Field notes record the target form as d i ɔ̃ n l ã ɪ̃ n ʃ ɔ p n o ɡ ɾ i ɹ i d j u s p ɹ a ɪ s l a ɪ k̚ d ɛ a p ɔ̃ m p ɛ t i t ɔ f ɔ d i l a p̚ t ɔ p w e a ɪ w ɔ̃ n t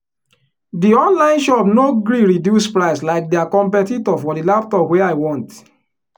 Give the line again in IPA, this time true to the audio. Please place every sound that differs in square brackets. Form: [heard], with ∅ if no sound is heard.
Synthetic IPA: d i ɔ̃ n l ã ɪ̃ n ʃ ɔ p n o ɡ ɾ i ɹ i d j u s p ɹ a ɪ s l a ɪ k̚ d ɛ a [k] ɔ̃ m p ɛ t i t ɔ f ɔ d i l a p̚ t ɔ p w e a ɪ w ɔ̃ n t